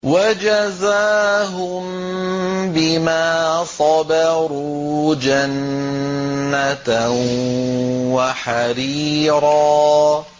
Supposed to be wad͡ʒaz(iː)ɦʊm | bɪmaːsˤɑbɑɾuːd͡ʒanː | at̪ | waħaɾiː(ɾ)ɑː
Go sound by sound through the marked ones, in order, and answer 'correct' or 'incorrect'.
incorrect, correct

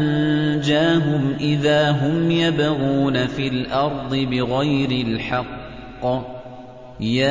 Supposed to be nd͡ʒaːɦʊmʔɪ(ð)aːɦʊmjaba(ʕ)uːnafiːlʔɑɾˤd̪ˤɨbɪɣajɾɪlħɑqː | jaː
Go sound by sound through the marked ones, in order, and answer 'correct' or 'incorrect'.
correct, incorrect

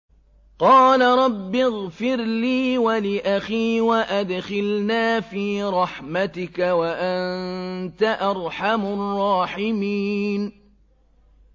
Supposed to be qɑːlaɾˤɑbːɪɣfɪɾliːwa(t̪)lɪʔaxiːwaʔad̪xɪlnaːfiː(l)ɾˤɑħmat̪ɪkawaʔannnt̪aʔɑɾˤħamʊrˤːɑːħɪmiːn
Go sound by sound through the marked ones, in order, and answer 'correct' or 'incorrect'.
incorrect, incorrect

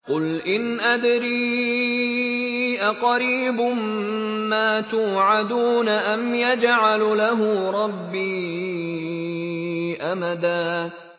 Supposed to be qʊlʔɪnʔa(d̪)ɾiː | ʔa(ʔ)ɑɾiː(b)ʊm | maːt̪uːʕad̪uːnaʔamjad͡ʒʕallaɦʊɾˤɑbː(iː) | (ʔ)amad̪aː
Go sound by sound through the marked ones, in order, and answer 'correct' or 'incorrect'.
correct, incorrect, correct, correct, correct

